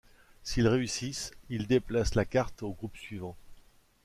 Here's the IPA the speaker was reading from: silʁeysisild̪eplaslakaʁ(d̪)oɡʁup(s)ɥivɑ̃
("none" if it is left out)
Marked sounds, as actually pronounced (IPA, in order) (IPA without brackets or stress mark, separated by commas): t̪, s